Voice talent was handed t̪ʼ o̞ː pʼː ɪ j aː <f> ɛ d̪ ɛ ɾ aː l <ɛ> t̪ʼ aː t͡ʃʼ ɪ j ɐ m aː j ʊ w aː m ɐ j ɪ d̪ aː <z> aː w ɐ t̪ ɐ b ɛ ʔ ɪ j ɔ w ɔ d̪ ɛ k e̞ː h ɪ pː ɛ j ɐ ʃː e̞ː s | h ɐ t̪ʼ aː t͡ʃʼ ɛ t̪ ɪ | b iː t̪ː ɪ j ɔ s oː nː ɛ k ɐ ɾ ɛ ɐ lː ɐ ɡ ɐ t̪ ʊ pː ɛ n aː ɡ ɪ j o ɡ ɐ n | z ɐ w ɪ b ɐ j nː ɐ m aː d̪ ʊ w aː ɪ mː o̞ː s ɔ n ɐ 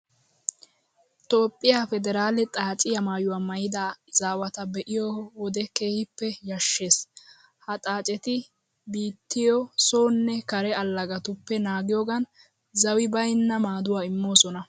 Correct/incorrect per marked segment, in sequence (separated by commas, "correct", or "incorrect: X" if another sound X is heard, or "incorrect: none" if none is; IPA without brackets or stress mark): correct, correct, correct